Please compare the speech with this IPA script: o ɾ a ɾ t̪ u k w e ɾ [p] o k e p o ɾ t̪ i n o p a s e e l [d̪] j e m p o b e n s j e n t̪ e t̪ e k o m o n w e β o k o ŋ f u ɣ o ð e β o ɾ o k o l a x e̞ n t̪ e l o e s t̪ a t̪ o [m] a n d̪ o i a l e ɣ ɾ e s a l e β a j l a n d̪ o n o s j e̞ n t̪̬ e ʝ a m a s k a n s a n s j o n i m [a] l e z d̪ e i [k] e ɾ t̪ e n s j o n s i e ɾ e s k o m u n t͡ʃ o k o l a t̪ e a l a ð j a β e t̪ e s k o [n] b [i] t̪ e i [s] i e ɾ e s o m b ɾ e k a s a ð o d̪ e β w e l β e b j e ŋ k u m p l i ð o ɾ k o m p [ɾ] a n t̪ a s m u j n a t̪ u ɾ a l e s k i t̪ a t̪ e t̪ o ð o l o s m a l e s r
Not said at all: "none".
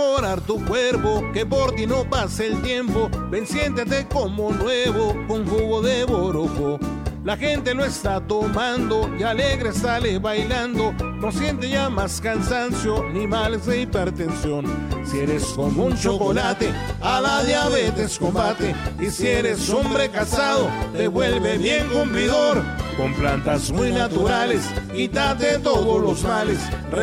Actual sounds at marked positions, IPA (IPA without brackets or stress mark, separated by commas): p, t̪, m, a, p, m, a, s, l